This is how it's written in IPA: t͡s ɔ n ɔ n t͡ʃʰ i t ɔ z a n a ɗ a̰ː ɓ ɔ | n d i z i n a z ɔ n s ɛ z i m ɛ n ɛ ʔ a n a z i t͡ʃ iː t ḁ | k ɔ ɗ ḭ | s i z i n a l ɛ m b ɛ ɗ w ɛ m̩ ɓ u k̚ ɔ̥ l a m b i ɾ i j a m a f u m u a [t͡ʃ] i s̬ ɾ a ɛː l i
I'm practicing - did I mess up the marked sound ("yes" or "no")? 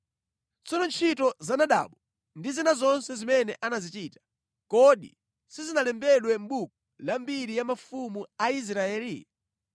yes